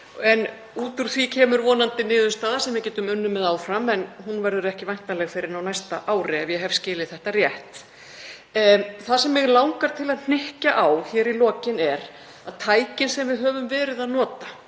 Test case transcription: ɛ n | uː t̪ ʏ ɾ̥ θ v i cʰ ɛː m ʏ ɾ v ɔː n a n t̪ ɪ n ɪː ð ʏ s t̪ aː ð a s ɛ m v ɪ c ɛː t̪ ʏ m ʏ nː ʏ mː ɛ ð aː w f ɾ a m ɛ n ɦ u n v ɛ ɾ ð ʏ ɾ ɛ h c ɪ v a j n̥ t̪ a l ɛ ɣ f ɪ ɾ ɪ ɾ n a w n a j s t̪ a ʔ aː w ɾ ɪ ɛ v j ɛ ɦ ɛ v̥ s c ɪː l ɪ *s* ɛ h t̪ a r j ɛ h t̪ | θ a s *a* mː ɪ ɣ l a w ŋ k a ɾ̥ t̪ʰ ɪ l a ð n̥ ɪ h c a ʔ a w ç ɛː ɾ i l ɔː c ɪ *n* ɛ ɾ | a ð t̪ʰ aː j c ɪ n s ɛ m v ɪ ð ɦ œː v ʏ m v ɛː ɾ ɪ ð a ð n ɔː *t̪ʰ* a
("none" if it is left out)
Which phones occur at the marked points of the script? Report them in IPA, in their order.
θ, ɛ, n, t̪

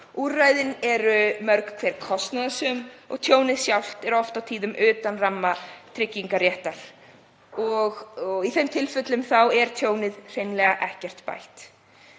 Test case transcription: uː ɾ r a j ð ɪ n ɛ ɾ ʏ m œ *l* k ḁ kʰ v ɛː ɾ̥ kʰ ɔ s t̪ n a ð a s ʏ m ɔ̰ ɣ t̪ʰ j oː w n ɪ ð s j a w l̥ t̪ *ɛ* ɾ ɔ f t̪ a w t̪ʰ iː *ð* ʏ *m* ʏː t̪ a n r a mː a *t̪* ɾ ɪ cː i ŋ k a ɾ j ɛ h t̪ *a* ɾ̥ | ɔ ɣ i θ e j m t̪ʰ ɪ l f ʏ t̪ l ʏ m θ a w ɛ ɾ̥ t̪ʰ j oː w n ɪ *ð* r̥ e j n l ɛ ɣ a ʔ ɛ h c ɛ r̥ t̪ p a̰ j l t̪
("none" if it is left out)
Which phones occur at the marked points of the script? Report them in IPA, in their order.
ɾ, ɛ, ð, m, t̪ʰ, a, ð

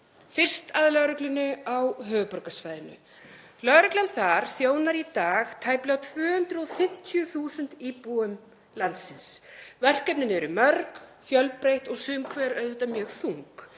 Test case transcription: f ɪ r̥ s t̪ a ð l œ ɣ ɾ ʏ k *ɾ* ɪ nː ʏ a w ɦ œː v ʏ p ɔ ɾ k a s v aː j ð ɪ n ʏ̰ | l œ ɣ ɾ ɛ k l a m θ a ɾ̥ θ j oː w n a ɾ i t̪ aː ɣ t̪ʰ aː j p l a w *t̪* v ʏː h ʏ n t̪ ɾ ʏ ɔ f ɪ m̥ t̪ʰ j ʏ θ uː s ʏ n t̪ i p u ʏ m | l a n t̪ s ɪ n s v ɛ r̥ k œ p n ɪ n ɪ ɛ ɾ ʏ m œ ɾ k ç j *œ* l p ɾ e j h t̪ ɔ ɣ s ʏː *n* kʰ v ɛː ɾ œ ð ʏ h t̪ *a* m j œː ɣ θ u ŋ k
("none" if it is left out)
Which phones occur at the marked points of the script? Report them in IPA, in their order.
l, t̪ʰ, œ, m, a

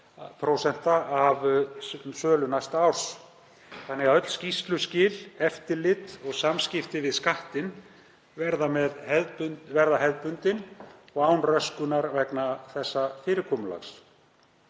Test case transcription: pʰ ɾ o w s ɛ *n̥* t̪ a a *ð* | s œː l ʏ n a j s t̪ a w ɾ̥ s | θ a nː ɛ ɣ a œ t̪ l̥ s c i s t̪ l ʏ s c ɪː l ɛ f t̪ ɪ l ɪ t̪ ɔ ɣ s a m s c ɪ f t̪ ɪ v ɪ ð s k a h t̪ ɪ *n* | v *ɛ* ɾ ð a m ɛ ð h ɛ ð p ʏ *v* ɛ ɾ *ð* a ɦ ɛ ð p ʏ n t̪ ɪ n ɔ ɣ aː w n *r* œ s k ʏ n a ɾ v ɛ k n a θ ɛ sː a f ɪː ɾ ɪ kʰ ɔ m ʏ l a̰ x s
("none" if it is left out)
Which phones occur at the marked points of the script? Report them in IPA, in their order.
n̥, v, n, ɛ, v, ð, r

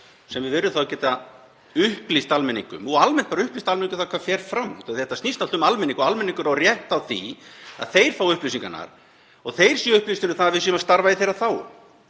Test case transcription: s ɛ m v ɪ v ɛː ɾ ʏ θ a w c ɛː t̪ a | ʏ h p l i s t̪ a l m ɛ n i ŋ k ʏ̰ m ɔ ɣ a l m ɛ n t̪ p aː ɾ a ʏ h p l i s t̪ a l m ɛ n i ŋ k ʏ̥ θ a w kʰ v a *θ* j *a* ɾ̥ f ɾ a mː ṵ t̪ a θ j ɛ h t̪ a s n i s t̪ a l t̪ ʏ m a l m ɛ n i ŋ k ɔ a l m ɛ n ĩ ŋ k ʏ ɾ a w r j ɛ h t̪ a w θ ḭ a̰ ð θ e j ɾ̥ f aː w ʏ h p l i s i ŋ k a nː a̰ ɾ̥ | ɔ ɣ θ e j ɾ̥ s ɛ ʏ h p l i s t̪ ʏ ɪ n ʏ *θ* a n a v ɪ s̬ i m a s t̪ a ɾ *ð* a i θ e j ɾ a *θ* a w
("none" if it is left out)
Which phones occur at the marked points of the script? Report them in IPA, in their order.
f, ɛ, θ, v, θ

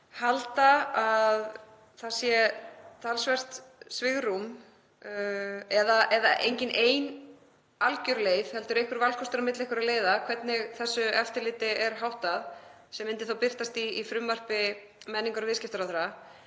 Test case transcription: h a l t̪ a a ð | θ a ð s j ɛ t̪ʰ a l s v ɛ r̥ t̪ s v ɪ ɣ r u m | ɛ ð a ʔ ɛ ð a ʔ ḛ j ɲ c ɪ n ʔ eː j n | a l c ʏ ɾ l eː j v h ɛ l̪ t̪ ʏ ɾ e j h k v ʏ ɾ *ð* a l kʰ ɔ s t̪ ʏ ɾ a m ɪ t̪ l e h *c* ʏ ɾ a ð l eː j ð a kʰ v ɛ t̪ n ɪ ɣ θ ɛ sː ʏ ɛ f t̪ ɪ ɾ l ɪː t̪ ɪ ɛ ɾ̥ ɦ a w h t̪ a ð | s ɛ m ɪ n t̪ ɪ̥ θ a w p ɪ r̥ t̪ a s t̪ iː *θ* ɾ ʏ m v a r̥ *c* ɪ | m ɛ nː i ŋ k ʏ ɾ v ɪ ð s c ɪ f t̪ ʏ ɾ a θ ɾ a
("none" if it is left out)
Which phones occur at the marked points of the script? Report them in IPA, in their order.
v, k, f, p

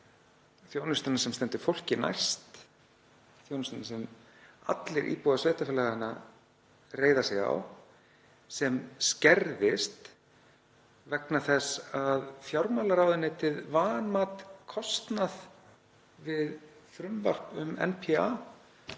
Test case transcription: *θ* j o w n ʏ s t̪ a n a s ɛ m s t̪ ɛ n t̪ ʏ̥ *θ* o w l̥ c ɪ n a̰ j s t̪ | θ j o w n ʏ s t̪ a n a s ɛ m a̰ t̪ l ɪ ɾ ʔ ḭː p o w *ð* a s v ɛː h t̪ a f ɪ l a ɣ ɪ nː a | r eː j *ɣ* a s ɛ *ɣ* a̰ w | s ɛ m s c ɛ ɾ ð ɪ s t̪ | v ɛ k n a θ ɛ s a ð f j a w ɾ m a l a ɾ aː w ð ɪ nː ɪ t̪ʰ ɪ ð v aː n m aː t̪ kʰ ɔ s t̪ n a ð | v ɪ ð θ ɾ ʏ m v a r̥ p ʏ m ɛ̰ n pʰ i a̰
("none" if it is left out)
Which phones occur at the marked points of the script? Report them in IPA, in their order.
θ, f, ð, ð, ɣ

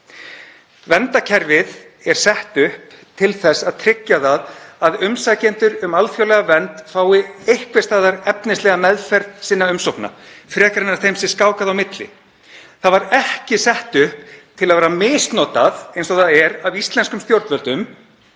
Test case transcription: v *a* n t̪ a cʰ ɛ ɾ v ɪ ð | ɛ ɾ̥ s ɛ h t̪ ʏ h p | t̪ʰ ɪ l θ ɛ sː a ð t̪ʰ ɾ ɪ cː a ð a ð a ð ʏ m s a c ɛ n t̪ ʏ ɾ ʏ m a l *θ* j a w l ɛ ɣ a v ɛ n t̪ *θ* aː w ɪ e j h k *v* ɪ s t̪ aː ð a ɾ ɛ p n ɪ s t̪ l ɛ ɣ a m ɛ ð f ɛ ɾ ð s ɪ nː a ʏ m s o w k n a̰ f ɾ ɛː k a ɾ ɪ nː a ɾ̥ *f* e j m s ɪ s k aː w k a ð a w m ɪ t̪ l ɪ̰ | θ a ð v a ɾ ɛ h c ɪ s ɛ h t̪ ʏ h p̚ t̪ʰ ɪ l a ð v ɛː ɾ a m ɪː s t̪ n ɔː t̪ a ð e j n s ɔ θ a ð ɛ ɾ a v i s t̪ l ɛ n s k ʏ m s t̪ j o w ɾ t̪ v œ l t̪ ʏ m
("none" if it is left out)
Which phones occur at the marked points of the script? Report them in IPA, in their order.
ɛ, f, f, v, θ

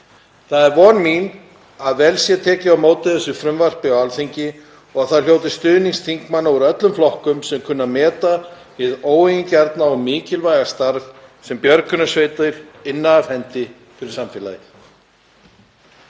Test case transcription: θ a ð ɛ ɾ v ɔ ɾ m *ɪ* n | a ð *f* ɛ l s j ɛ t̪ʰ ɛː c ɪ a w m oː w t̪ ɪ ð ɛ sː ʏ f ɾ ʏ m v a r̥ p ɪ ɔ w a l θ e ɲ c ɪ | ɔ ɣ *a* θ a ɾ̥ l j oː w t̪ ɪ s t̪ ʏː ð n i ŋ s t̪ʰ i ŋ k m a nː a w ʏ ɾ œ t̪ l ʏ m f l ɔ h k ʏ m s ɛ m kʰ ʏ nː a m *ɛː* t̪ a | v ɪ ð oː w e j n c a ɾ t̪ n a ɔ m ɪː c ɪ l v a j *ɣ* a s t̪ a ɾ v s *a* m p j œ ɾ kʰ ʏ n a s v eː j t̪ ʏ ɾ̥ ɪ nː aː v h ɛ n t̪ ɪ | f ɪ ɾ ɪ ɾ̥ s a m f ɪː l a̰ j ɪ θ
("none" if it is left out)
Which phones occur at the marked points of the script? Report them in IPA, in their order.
i, v, a, ɛː, ɣ, ɛ

